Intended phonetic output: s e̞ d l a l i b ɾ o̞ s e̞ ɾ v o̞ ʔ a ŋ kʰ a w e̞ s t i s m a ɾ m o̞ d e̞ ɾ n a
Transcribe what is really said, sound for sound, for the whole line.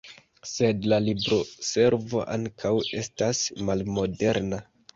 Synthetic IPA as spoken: s e̞ d l a l i b ɾ o̞ s e̞ ɾ v o̞ ʔ a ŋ kʰ a w e̞ s t a s m a l m o̞ d e̞ ɾ n a

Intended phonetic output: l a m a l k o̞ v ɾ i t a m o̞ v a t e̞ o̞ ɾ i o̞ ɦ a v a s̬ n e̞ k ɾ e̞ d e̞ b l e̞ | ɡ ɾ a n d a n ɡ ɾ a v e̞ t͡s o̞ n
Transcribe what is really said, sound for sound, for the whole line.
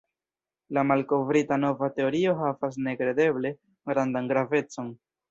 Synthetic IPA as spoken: l a m a l k o̞ v ɾ i t a n o̞ v a t e̞ o̞ ɾ i o̞ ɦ a v a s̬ n e̞ k ɾ e̞ d e̞ b l e̞ | ɡ ɾ a n d a n ɡ ɾ a v e̞ t͡s o̞ n

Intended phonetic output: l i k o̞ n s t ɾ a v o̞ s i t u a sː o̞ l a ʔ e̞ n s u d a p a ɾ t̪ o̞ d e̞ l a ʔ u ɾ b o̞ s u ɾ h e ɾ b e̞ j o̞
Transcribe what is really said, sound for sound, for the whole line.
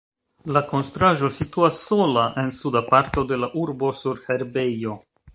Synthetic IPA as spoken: l a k o̞ n s t ɾ a ʒ o̞ s i t u a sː o̞ l a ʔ e̞ n s u d a p a ɾ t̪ o̞ d e̞ l a ʔ u ɾ b o̞ s u ɾ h e ɾ b e̞ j o̞

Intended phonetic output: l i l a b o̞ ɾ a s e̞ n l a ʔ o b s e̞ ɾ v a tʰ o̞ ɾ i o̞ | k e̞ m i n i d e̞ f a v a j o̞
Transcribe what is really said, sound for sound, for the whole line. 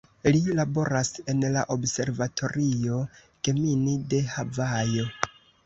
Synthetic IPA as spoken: l i l a b o̞ ɾ a s e̞ n l a ʔ o b s e̞ ɾ v a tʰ o̞ ɾ i o̞ | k e̞ m i n i d e̞ h a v a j o̞

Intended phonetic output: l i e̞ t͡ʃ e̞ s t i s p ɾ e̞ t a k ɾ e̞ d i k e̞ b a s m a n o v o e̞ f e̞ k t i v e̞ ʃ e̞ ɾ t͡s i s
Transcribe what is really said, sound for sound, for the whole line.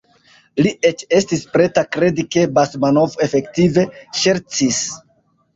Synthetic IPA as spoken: l i e̞ t͡ʃ e̞ s t i s p ɾ e̞ t a k ɾ e̞ d i k e̞ b a s m a n o v o e̞ f e̞ k t i v e̞ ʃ e̞ ɾ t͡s i s

